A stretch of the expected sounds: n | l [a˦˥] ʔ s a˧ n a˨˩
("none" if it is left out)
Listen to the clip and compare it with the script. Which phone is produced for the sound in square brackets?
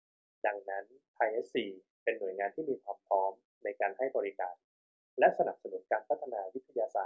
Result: ɛ˦˥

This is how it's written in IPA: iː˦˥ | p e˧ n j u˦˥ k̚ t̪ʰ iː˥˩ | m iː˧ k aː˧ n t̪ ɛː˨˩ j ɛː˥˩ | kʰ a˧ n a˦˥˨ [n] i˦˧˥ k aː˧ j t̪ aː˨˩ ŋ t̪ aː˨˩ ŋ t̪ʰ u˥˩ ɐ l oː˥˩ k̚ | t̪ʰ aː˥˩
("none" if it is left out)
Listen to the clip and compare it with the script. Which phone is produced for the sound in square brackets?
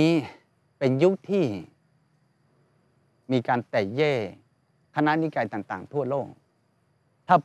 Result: n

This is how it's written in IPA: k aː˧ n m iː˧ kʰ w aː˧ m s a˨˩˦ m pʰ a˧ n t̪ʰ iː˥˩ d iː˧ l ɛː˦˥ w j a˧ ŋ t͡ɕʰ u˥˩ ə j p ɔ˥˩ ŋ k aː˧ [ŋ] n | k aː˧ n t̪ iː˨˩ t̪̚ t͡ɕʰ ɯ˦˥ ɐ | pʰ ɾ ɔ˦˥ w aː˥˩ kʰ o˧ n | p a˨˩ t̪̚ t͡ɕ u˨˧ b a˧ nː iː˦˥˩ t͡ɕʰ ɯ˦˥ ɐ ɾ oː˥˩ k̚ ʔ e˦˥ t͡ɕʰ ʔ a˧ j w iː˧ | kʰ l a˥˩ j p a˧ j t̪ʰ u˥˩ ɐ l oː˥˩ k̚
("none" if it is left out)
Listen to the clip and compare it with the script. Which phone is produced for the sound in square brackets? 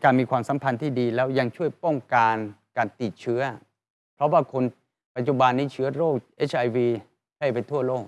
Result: none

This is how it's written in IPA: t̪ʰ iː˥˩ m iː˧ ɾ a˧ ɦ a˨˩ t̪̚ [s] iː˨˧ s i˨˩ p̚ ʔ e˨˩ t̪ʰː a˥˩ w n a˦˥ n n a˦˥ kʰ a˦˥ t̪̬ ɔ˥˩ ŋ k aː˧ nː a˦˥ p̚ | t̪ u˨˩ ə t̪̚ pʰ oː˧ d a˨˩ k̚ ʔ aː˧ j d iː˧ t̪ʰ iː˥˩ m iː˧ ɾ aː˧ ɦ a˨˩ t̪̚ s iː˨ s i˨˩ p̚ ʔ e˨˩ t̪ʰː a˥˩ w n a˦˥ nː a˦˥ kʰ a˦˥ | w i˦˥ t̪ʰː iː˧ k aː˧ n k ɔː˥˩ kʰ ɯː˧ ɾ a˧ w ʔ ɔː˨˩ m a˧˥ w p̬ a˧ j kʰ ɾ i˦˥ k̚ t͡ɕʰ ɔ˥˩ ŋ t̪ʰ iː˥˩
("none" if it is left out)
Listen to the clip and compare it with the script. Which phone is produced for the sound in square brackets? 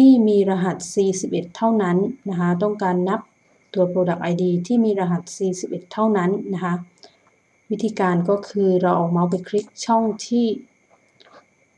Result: s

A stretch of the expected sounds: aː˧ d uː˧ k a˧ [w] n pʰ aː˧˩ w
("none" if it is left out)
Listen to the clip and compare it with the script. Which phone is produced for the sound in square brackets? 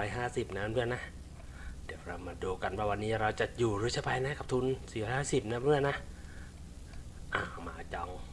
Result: none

